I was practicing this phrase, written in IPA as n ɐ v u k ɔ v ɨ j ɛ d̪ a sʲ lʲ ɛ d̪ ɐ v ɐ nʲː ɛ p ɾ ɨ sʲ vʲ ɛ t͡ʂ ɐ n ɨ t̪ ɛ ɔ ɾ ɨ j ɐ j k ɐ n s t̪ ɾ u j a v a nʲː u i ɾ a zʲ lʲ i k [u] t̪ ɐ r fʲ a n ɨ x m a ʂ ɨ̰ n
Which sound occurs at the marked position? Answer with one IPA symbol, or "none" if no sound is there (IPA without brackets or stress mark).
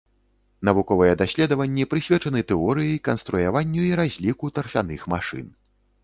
u